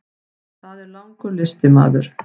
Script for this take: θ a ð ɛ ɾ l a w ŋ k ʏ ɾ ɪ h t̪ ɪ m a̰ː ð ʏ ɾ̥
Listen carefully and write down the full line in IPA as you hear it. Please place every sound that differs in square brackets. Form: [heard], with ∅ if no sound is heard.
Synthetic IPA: θ a ð ɛ ɾ l a w ŋ k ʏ [l] ɪ [s] t̪ ɪ m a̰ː ð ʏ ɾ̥